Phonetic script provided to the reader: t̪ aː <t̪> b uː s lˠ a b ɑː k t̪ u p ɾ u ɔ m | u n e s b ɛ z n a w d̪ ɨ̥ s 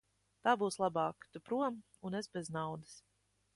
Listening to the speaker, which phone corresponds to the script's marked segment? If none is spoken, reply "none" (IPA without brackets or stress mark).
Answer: none